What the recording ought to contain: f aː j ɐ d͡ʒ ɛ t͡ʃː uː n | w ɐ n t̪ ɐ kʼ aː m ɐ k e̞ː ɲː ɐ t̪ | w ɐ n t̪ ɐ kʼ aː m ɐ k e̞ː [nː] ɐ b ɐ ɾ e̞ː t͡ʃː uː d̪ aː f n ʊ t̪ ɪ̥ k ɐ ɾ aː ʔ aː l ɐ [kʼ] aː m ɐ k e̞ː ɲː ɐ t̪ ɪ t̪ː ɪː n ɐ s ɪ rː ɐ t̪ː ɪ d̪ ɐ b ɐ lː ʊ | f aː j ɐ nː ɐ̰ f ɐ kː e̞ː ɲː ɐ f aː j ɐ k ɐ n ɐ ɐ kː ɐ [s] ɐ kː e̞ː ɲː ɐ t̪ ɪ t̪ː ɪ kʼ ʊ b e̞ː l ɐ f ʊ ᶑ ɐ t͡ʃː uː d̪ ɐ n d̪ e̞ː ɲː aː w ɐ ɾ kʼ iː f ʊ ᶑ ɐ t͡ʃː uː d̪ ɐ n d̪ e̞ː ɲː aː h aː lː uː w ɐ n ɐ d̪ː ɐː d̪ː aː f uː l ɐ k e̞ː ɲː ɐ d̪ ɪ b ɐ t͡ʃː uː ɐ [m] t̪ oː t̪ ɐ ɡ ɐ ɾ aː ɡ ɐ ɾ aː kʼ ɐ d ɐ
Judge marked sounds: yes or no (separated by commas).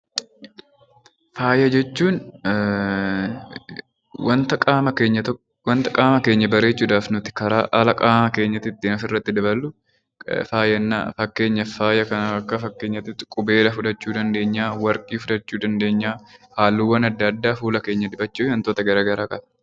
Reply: no, yes, no, no